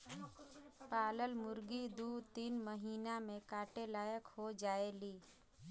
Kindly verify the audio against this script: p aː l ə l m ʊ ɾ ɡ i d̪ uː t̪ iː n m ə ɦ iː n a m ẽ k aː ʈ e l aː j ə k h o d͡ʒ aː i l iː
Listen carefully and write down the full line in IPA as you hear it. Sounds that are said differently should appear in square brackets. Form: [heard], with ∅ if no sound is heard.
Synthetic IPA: p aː l ə l m ʊ ɾ ɡ i d̪ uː t̪ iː n m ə ɦ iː n a m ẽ k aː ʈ e l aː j ə k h o d͡ʒ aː [e] l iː

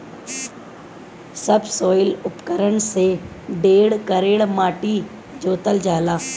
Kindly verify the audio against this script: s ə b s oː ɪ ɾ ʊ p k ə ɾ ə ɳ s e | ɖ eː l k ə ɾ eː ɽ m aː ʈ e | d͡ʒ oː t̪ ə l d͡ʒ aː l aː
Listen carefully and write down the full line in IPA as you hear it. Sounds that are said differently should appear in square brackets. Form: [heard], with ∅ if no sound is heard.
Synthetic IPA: s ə b s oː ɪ [l] ʊ p k ə ɾ ə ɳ s e | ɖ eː [ɽ] k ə ɾ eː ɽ m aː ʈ [i] | d͡ʒ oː t̪ ə l d͡ʒ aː l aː

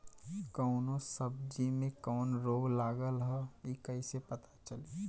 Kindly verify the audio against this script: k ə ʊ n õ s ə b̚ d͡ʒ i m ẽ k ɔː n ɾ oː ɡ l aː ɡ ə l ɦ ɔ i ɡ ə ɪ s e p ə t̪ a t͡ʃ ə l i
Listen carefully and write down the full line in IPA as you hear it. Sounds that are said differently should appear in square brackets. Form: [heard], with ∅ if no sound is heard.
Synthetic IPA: k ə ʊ n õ s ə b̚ d͡ʒ i m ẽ k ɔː n ɾ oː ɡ l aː ɡ ə l ɦ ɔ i [k] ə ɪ s e p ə t̪ a t͡ʃ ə l i

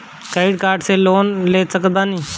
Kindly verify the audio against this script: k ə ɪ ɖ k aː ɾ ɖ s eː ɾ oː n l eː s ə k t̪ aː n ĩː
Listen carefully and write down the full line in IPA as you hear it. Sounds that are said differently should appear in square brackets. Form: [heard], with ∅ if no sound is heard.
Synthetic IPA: k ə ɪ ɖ k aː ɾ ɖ s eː [l] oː n l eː s ə k [d̪] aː n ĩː

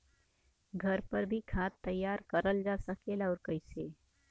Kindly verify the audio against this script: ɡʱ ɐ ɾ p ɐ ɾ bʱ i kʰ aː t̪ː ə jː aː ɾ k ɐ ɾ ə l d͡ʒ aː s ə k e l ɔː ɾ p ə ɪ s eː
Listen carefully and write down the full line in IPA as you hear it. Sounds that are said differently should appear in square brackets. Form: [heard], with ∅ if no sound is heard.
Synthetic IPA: ɡʱ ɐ ɾ p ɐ ɾ bʱ i kʰ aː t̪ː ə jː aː ɾ k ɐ ɾ ə l d͡ʒ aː s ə k e l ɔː ɾ [k] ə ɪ s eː

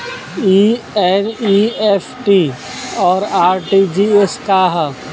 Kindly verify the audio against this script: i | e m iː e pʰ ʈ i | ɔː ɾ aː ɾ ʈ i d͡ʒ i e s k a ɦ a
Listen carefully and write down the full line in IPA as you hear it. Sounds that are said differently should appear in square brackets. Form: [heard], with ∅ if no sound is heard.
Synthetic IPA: i | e [n] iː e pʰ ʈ i | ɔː ɾ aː ɾ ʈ i d͡ʒ i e s k a ɦ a

